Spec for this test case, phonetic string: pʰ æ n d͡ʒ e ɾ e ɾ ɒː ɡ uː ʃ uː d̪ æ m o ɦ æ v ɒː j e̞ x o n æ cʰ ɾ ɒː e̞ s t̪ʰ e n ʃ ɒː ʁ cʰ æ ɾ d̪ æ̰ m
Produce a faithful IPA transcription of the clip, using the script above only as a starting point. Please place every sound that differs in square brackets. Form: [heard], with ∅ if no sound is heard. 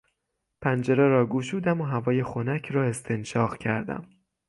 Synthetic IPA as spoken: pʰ æ n d͡ʒ e ɾ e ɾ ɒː ɡ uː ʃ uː d̪ æ m o ɦ æ v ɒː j e̞ x o n æ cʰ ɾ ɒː e̞ s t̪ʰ e n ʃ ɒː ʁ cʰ æ ɾ d̪ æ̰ m